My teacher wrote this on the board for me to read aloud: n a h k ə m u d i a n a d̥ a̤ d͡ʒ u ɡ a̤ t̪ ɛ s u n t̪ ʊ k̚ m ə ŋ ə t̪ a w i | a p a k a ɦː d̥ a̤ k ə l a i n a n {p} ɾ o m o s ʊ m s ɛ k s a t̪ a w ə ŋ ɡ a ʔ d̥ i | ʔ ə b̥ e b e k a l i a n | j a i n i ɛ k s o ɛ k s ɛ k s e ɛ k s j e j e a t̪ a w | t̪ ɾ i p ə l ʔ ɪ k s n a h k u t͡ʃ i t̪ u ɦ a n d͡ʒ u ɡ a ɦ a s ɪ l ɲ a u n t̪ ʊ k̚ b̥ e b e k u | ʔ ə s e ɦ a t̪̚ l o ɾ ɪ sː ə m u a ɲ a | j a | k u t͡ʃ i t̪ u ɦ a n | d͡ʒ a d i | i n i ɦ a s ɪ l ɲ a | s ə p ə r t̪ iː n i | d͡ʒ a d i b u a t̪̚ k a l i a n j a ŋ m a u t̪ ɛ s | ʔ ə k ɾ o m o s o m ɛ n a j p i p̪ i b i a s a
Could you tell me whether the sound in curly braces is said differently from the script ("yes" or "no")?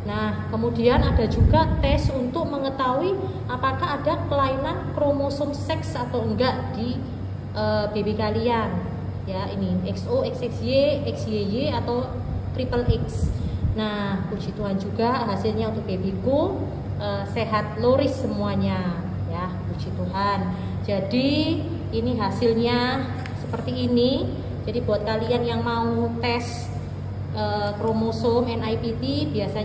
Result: yes